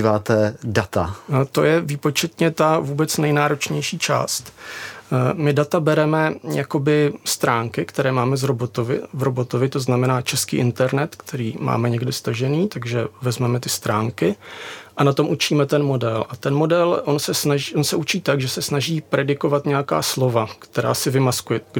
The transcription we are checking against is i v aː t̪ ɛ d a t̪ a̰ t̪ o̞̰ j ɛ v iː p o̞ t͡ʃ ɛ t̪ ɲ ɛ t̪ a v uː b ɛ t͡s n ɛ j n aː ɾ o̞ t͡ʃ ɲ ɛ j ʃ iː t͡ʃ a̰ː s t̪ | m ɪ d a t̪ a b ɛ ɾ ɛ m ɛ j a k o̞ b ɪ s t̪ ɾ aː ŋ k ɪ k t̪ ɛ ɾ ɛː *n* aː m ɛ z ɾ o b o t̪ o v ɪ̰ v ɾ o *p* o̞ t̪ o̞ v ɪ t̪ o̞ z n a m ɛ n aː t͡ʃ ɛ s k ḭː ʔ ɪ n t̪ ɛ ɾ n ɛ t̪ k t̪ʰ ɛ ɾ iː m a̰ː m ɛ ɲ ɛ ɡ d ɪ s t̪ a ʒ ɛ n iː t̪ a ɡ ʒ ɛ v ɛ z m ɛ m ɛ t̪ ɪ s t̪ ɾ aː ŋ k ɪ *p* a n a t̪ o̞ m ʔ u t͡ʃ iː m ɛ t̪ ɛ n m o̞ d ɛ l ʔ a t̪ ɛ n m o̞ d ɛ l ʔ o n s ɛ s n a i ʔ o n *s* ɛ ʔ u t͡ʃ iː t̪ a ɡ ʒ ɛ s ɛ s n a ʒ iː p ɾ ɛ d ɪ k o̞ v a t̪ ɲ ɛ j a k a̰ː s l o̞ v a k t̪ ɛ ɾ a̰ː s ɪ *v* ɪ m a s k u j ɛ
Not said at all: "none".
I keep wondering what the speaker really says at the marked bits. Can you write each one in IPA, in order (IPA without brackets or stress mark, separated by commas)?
m, b, ʔ, s, v